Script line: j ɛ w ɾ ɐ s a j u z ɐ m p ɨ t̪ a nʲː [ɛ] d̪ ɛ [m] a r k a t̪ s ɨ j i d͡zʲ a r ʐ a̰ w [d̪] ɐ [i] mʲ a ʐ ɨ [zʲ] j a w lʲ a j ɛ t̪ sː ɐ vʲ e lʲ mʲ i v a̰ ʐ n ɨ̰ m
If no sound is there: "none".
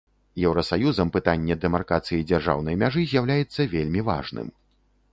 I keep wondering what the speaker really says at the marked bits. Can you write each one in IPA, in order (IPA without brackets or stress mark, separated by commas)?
ɛ, m, n̪, j, zʲ